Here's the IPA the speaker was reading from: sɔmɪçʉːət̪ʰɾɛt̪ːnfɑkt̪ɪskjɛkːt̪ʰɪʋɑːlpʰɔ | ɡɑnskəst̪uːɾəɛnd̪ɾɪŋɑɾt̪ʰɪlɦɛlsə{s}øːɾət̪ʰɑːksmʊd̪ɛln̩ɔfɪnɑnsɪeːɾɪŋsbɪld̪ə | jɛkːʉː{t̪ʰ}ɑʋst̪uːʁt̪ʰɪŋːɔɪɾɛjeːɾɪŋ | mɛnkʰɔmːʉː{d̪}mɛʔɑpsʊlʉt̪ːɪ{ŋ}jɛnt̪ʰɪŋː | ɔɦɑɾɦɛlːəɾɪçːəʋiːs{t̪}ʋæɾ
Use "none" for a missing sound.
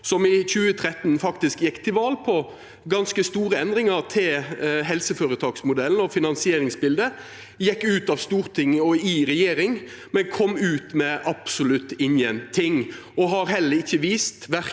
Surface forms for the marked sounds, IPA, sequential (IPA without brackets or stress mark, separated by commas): f, t̪, t̪, n, t̪